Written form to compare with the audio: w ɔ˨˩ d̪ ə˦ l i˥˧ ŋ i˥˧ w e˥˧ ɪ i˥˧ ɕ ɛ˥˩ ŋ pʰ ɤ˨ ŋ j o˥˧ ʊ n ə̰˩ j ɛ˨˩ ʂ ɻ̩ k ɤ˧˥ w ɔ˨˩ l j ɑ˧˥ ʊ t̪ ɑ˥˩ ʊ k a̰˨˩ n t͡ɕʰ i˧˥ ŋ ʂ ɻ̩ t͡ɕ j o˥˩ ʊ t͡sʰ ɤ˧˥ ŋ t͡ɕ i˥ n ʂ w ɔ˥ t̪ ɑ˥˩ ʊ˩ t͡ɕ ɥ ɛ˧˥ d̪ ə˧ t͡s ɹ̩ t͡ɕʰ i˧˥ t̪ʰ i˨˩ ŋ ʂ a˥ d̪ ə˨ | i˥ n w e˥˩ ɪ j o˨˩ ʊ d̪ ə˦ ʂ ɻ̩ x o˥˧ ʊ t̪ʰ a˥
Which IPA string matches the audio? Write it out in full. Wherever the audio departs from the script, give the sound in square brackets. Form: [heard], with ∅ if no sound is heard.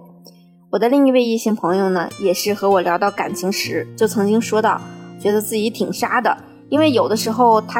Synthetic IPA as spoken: w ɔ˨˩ d̪ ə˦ l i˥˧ ŋ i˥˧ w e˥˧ ɪ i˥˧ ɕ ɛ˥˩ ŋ pʰ [ɤ˧˥] ŋ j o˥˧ ʊ n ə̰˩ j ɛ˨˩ ʂ ɻ̩ [x] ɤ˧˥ w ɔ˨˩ l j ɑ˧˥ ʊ t̪ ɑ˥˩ ʊ k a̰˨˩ n t͡ɕʰ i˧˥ ŋ ʂ ɻ̩ t͡ɕ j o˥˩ ʊ t͡sʰ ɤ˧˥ ŋ t͡ɕ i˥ [ŋ] ʂ w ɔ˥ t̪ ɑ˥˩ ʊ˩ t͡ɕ ɥ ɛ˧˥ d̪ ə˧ t͡s ɹ̩ [t͡ɕ] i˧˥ t̪ʰ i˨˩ ŋ ʂ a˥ d̪ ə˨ | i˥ n w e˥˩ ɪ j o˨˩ ʊ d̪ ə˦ ʂ ɻ̩ x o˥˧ ʊ t̪ʰ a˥